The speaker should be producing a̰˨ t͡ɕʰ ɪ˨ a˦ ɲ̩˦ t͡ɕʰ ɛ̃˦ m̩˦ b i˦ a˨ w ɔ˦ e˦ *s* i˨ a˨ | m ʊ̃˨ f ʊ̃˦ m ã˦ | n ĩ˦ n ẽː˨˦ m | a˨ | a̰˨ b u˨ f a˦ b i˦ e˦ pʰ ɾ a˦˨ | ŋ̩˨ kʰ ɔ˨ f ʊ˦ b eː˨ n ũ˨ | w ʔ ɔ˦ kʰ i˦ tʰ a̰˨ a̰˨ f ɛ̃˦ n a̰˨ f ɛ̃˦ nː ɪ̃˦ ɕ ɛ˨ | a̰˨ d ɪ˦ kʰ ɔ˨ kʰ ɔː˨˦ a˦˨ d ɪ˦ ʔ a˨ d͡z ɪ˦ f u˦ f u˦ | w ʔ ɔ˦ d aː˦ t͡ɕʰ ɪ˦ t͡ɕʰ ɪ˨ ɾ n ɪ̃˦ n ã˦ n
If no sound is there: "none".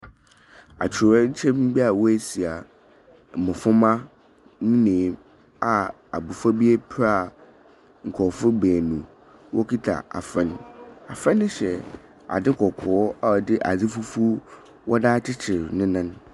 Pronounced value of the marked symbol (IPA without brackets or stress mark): s